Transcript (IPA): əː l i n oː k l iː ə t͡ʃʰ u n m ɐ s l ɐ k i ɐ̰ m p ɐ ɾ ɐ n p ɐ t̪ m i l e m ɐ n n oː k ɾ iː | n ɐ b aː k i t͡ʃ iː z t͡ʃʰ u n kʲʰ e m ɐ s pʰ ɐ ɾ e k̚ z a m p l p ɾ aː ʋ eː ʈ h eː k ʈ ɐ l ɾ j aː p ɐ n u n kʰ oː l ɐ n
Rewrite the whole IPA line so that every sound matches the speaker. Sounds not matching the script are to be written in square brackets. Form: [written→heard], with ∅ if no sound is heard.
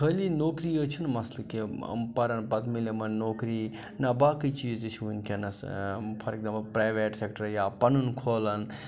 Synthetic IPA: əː l i n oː k [l→ɾ] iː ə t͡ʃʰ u n m ɐ s l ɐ k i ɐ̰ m p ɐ ɾ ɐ n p ɐ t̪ m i l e m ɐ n n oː k ɾ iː | n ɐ b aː k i t͡ʃ iː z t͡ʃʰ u n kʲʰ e [m→n] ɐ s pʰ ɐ ɾ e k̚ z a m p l p ɾ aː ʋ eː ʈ [h→s] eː k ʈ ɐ [l→∅] ɾ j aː p ɐ n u n kʰ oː l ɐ n

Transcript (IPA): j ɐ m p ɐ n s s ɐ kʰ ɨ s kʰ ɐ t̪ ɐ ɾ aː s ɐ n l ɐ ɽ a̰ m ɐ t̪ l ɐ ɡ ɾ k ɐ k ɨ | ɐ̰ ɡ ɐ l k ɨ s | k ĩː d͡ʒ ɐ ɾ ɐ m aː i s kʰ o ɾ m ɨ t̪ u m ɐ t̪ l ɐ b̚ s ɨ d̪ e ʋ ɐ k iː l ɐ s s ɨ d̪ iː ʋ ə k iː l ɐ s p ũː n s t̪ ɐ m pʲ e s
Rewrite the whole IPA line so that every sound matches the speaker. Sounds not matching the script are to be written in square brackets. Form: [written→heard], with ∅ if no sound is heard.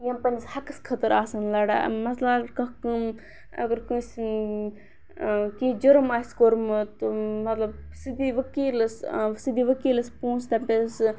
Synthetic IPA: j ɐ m p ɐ n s [s→h] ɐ [kʰ→k] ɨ s kʰ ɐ t̪ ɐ ɾ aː s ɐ n l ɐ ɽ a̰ m ɐ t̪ l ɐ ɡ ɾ k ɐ k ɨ | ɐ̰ ɡ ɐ [l→ɾ] k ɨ s | k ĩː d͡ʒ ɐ ɾ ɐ m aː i s [kʰ→k] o ɾ m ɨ t̪ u m ɐ t̪ l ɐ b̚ s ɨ d̪ [e→i] ʋ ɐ k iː l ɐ s s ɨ d̪ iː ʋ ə k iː l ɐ s p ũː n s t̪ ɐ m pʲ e s

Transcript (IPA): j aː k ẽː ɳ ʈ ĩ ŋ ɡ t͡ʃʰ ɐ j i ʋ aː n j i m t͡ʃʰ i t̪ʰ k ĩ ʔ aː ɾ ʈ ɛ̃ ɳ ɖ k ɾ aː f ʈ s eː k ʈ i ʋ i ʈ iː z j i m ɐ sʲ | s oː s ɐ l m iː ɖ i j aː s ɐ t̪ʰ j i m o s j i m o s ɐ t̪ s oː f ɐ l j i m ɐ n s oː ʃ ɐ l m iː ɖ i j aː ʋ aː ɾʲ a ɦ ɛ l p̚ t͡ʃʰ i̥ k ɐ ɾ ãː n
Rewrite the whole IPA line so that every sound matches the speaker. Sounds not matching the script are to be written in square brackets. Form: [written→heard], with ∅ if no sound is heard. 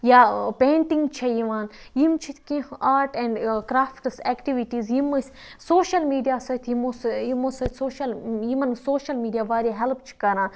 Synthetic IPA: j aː [k→p] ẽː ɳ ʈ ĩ ŋ ɡ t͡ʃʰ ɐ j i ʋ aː n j i m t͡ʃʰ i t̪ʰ k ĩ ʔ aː ɾ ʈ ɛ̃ ɳ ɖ k ɾ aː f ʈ s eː k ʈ i ʋ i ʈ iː z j i m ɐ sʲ | s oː [s→ʃ] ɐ l m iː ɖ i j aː s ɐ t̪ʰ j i m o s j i m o s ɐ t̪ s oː [f→ʃ] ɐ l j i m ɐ n s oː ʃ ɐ l m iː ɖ i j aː ʋ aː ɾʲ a ɦ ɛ l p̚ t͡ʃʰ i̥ k ɐ ɾ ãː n

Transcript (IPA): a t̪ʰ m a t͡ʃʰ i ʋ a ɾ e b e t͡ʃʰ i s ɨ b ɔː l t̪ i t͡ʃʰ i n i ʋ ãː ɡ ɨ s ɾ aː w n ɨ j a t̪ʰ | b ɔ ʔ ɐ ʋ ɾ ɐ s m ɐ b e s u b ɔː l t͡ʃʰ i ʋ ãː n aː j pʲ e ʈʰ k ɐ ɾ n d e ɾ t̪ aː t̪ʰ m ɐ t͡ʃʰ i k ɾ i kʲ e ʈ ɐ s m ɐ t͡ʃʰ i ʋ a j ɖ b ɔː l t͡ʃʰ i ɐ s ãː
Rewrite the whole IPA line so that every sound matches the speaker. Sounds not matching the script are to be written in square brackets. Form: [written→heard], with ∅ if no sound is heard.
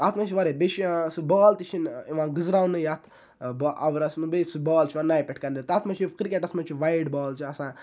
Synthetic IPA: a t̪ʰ m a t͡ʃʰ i ʋ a ɾ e b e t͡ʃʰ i s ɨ b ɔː l t̪ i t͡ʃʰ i n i ʋ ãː ɡ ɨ [s→z] ɾ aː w n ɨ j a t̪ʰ | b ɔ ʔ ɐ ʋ ɾ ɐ s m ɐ b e s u b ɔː l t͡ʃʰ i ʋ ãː n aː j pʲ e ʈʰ k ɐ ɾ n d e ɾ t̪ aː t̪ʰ m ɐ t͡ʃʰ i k ɾ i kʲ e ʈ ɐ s m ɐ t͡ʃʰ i ʋ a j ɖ b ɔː l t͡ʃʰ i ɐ s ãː

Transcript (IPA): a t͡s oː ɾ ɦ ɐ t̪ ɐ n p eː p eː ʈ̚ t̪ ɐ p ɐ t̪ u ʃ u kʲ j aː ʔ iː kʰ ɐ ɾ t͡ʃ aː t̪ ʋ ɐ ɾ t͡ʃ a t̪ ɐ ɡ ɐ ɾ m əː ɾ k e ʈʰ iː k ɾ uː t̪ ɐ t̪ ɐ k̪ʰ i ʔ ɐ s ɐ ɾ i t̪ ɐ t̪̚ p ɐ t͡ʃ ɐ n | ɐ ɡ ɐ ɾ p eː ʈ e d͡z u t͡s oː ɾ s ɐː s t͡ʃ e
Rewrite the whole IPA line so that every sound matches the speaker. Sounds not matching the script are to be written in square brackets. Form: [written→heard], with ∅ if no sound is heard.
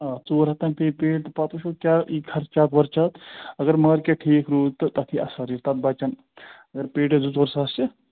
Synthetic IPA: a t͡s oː ɾ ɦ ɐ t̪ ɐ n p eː p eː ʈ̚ t̪ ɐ p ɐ t̪ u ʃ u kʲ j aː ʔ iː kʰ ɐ ɾ t͡ʃ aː t̪ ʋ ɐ ɾ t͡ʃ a t̪ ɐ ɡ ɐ ɾ m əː ɾ k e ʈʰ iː k ɾ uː t̪ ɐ t̪ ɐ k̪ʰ i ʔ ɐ s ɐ ɾ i t̪ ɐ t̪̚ [p→b] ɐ t͡ʃ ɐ n | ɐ ɡ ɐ ɾ p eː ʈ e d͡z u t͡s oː ɾ s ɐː s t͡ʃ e

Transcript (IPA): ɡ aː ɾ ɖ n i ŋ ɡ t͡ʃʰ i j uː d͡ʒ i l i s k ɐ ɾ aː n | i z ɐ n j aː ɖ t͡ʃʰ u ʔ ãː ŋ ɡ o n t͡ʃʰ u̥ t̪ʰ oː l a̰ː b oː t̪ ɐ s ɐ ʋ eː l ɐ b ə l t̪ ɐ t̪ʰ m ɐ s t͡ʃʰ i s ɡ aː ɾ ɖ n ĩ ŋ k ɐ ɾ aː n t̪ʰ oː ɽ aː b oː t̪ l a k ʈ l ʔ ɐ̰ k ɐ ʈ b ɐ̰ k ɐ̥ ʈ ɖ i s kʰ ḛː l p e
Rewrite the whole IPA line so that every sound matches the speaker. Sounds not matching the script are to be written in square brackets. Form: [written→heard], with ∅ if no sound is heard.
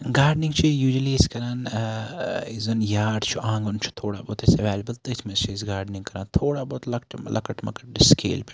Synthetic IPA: ɡ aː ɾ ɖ n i ŋ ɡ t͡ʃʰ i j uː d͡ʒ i l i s k ɐ ɾ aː n | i z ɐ n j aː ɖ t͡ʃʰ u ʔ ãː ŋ ɡ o n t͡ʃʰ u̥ t̪ʰ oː [l→ɽ] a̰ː b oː t̪ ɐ s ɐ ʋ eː l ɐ b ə l t̪ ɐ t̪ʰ m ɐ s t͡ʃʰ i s ɡ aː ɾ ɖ n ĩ ŋ k ɐ ɾ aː n t̪ʰ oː ɽ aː b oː t̪ l [a→ɐ] k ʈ l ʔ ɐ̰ k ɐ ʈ [b→m] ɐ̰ k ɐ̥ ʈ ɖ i s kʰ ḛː l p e

